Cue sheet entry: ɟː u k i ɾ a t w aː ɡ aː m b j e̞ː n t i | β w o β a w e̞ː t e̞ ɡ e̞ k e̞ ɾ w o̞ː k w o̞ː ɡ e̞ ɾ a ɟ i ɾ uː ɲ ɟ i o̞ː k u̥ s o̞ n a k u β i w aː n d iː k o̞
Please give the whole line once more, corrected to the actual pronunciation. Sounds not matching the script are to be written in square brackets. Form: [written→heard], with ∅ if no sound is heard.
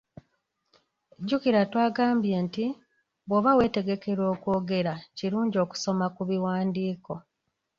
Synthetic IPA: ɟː u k i ɾ a t w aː ɡ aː m b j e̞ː n t i | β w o β a w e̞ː t e̞ ɡ e̞ k e̞ ɾ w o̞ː k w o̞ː ɡ e̞ ɾ a [ɟ→c] i ɾ uː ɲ ɟ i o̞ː k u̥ s o̞ [n→m] a k u β i w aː n d iː k o̞